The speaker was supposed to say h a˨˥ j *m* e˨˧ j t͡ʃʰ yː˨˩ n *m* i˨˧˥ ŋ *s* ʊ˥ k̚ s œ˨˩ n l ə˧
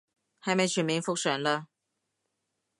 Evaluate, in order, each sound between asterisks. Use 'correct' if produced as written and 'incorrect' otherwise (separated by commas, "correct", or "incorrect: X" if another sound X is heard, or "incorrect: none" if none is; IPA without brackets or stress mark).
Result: correct, correct, incorrect: f